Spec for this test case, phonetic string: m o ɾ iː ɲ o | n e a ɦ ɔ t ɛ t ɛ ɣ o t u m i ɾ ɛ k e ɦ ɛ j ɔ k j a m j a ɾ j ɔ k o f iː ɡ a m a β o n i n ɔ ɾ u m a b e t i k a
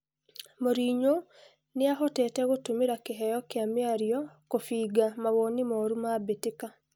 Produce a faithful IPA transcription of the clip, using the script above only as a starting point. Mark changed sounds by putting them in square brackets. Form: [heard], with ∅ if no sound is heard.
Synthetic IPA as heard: m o ɾ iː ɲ o | n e a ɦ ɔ t ɛ t ɛ ɣ o t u m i ɾ [a] k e ɦ ɛ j ɔ k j a m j a ɾ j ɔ k o f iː ɡ a m a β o n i [m] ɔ ɾ u m a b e t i k a